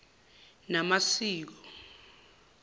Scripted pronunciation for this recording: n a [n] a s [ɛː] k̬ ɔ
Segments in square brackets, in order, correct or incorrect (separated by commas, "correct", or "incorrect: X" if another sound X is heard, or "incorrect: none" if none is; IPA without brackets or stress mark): incorrect: m, incorrect: iː